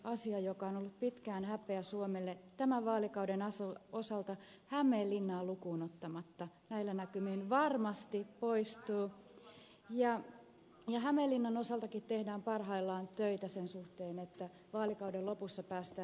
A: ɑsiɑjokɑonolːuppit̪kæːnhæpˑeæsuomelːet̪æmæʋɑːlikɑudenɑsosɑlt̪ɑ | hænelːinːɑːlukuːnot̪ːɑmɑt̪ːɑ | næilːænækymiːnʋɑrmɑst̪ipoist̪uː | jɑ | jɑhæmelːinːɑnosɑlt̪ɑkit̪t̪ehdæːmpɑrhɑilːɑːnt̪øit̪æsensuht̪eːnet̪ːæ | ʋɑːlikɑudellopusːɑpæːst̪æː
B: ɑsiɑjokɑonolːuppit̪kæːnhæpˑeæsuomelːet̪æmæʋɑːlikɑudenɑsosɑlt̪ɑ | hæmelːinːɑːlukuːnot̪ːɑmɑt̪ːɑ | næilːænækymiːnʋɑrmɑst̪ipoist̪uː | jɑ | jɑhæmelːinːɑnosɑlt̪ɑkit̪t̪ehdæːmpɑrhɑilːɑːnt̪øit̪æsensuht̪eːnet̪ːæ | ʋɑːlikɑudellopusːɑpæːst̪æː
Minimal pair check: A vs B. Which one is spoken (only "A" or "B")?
B